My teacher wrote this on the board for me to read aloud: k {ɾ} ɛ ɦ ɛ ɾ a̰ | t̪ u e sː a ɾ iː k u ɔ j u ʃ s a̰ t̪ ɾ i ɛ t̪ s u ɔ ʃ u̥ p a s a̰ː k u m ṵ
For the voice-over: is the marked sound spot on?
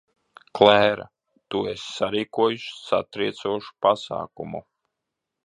no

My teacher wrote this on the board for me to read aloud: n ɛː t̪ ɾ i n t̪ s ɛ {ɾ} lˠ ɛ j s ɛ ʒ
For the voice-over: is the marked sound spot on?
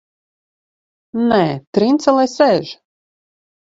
no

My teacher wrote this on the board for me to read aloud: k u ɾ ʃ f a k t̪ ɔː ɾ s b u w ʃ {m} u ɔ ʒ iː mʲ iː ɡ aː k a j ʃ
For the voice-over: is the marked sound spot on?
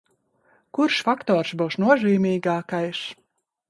no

